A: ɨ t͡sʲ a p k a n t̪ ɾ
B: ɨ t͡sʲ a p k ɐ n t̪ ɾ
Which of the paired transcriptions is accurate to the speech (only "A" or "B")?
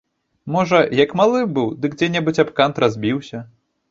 A